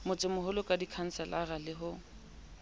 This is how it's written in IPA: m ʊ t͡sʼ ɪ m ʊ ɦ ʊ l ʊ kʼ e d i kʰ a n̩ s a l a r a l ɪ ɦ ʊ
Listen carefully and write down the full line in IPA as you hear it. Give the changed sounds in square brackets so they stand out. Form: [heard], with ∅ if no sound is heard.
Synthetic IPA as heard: m ʊ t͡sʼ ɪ m ʊ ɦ ʊ l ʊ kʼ [a] d i kʰ a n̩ s [ɛ] l a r a l ɪ ɦ ʊ